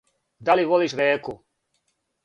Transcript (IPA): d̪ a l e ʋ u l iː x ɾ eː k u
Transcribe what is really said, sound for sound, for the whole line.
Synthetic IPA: d̪ a l i ʋ o l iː ʃ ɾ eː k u